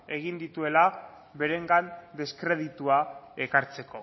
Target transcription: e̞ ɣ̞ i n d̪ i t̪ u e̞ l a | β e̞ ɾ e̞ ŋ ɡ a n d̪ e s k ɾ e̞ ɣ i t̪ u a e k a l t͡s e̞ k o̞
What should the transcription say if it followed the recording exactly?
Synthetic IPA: e̞ ɣ̞ i n d̪ i t̪ u e̞ l a | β e̞ ɾ e̞ ŋ ɡ a n d̪ e s k ɾ e̞ ð i t̪ u a e k a ɾ t͡s e̞ k o̞